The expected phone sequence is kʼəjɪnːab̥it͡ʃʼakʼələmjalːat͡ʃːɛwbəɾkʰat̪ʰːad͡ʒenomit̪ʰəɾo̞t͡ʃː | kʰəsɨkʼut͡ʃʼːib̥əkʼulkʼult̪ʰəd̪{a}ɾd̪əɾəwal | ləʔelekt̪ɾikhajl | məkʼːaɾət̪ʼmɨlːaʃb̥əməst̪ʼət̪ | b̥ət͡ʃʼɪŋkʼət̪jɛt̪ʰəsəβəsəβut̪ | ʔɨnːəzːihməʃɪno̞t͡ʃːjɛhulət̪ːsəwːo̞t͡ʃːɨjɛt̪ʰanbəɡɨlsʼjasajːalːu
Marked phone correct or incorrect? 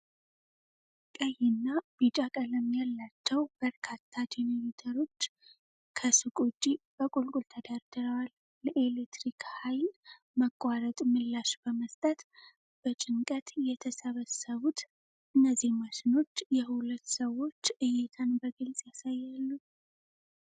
correct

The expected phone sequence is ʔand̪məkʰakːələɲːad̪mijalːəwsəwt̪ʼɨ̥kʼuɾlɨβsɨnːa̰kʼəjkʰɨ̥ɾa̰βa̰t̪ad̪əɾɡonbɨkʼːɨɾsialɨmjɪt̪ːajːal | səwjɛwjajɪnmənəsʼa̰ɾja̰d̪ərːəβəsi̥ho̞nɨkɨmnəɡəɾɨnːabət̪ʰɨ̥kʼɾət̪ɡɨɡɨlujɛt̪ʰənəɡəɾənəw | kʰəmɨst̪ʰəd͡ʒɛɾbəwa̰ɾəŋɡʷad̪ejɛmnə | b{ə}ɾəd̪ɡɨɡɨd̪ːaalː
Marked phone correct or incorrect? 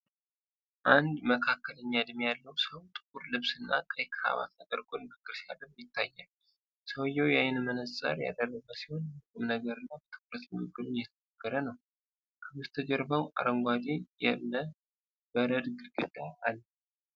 correct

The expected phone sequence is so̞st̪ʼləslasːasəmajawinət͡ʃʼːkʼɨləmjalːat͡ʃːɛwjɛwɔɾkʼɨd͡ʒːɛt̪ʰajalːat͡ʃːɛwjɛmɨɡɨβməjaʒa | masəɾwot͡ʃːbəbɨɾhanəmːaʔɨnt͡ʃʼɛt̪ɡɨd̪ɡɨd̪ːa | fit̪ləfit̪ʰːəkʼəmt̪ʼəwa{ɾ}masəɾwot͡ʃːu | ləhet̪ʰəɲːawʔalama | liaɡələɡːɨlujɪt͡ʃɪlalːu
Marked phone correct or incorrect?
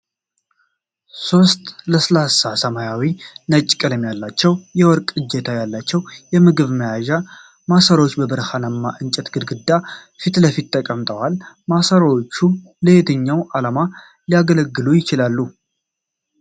incorrect: l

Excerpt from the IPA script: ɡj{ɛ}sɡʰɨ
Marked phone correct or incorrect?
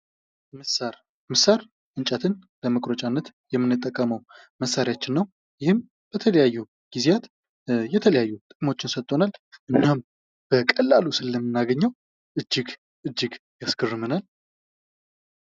incorrect: a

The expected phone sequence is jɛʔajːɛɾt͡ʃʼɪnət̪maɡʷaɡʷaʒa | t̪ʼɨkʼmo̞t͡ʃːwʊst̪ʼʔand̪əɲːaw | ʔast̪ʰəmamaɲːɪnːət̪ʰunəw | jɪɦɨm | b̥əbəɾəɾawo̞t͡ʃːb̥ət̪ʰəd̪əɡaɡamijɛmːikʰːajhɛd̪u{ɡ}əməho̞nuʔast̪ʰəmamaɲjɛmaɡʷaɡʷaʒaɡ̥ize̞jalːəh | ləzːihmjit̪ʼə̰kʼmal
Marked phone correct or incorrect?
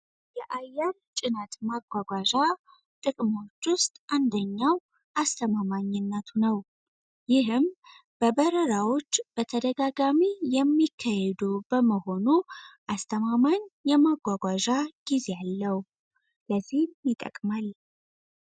incorrect: b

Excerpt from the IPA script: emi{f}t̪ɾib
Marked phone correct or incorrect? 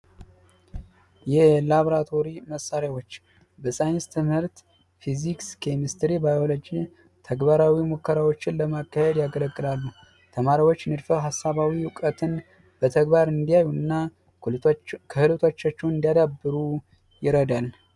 incorrect: s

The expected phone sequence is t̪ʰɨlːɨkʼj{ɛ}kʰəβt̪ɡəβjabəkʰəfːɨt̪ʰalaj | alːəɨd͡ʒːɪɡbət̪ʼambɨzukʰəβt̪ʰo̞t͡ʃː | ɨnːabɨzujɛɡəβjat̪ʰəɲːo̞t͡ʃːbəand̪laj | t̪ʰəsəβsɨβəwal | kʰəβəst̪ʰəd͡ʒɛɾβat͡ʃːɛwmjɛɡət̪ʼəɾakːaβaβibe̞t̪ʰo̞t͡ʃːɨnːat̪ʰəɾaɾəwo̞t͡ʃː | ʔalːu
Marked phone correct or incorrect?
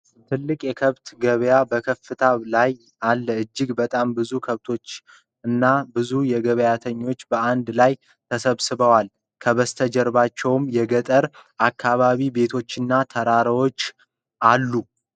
correct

